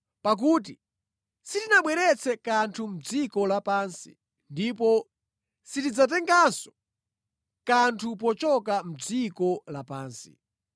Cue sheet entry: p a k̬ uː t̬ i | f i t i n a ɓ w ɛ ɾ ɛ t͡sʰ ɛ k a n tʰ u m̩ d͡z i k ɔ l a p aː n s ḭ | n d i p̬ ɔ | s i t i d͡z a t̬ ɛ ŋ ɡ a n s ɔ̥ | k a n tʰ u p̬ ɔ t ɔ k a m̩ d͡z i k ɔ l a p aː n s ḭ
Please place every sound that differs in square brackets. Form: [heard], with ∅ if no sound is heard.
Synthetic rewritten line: p a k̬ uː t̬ i | [s] i t i n a ɓ w ɛ ɾ ɛ t͡sʰ ɛ k a n tʰ u m̩ d͡z i k ɔ l a p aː n s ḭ | n d i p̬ ɔ | s i t i d͡z a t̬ ɛ ŋ ɡ a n s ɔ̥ | k a n tʰ u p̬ ɔ [t͡ʃ] ɔ k a m̩ d͡z i k ɔ l a p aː n s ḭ